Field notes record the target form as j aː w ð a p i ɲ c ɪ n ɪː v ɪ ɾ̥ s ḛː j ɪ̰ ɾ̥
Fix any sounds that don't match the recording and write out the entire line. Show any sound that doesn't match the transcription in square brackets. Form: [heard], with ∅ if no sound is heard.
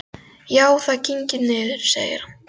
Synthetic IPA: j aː w [θ] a [c] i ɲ c ɪ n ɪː [ð] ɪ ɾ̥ s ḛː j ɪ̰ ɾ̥